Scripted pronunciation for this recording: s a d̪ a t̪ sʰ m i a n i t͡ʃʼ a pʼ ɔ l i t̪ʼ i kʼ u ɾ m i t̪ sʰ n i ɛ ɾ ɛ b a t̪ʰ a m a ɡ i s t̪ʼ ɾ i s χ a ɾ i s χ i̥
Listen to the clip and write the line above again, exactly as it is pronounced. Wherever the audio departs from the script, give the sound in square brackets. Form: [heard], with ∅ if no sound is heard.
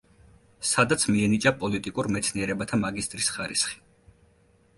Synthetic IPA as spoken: s a d̪ a t̪ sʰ m i [ɛ] n i t͡ʃʼ a pʼ ɔ l i t̪ʼ i kʼ u ɾ m [ɛ] t̪ sʰ n i ɛ ɾ ɛ b a t̪ʰ a m a ɡ i s t̪ʼ ɾ i s χ a ɾ i s χ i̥